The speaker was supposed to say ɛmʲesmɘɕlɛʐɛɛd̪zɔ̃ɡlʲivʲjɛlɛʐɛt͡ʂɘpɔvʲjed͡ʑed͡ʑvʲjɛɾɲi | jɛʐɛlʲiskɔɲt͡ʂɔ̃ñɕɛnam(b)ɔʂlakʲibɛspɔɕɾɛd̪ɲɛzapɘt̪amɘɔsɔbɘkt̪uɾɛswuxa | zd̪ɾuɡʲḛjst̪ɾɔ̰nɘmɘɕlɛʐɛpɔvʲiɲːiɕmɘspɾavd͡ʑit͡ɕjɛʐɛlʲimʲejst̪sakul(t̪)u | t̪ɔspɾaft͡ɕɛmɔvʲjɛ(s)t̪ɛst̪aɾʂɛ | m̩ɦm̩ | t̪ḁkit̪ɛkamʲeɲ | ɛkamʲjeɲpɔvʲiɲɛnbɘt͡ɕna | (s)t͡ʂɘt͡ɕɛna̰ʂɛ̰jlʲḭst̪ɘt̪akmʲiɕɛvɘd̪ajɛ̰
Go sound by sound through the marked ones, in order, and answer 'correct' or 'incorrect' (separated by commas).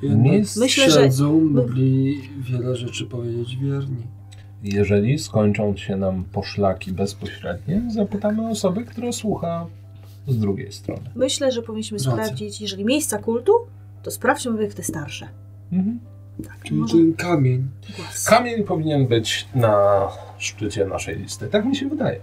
incorrect, correct, incorrect, incorrect